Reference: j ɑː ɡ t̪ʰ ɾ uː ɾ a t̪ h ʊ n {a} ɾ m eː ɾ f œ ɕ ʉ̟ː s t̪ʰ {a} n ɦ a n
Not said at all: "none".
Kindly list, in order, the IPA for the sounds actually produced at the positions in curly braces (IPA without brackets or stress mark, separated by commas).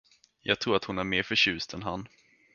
æ, ɛ